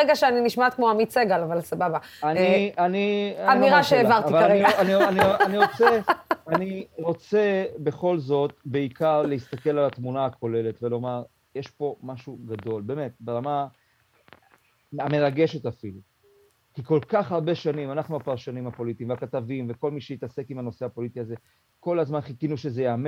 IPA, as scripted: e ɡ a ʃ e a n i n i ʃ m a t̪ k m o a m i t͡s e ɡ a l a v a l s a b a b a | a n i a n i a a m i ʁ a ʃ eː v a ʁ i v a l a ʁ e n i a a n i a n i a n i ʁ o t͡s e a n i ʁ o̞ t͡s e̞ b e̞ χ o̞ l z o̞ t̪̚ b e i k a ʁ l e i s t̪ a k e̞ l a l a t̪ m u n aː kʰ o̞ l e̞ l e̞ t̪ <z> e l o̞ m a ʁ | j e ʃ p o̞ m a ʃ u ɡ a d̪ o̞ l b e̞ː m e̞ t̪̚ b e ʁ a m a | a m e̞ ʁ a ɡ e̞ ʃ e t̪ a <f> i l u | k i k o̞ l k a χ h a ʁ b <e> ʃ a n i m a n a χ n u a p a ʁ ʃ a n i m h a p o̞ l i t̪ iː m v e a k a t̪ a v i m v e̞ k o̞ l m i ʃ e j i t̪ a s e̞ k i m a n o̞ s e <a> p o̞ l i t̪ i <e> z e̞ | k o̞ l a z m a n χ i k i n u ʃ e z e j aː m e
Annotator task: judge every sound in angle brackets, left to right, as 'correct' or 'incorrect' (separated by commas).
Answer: incorrect, correct, correct, correct, incorrect